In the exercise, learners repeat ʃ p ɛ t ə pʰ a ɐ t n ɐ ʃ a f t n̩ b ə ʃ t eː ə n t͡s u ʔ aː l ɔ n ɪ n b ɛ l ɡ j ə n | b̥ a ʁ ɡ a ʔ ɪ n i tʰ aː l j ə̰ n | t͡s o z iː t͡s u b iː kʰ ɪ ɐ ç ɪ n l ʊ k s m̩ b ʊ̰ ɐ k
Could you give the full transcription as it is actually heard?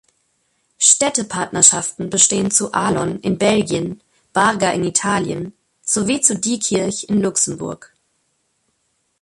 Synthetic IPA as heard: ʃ t ɛ t ə pʰ a ɐ t n ɐ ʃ a f t n̩ b ə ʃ t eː ə n t͡s u ʔ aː l ɔ n ɪ n b ɛ l ɡ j ə n | b̥ a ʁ ɡ a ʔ ɪ n i tʰ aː l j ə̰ n | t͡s o v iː t͡s u d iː kʰ ɪ ɐ ç ɪ n l ʊ k s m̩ b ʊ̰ ɐ k